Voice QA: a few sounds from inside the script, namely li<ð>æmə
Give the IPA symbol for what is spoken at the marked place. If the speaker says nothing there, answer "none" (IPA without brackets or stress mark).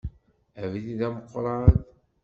ð